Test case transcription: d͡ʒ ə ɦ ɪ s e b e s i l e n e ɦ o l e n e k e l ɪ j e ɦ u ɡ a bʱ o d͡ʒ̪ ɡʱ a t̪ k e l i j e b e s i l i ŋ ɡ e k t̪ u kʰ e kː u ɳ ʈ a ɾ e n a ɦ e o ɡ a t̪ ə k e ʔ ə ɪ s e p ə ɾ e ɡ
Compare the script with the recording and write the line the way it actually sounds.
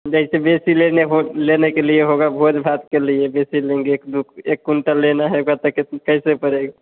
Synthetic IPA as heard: d͡ʒ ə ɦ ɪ s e b e s i l e n e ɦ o l e n e k e l i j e ɦ o ɡ a bʱ o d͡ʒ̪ bʱ a t̪ k e l i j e b e s i l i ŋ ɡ e k d̪ u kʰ e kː u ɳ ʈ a l e n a ɦ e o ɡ a t̪ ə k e k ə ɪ s e p ə ɾ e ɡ